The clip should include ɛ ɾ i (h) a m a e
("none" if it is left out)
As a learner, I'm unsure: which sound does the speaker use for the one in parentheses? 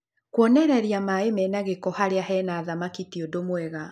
none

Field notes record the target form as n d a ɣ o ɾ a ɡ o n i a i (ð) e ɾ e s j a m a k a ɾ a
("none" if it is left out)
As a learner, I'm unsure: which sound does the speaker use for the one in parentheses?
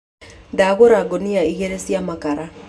ɣ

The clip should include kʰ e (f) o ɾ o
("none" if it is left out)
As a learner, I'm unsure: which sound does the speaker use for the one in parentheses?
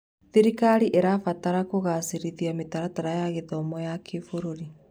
f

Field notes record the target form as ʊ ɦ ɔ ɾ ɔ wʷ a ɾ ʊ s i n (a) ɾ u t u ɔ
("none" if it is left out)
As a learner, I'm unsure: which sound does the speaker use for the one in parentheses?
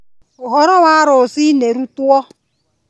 e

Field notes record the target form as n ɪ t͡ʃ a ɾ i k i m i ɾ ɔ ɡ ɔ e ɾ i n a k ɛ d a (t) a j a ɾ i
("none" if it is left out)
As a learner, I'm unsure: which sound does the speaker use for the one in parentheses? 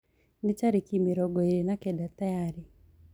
t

